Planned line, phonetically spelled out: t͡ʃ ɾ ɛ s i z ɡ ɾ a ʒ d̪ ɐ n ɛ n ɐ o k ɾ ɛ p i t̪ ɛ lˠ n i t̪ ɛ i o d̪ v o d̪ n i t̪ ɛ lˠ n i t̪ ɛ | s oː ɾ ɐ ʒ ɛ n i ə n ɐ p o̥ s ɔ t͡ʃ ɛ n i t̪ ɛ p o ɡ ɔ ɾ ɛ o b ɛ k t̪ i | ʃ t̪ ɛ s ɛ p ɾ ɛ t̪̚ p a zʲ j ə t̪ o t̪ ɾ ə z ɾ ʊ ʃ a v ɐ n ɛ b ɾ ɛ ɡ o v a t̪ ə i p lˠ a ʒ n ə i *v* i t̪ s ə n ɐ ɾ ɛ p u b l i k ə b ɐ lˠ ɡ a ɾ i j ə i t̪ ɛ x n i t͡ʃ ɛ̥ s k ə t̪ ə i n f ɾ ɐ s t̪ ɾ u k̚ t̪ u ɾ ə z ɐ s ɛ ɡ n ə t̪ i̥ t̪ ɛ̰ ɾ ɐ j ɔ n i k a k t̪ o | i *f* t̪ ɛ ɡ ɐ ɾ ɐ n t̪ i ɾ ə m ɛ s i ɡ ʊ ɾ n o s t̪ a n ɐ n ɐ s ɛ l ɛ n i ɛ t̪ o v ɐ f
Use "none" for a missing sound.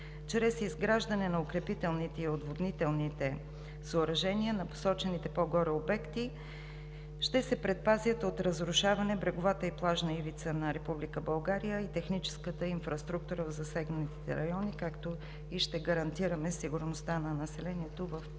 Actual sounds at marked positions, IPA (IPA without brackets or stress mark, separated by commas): v, ʃ